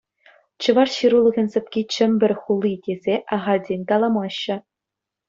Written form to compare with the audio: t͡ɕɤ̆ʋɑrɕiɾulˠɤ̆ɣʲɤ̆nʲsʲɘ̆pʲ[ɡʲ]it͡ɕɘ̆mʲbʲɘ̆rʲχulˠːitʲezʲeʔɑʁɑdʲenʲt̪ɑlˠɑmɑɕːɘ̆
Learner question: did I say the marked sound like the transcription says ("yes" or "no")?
no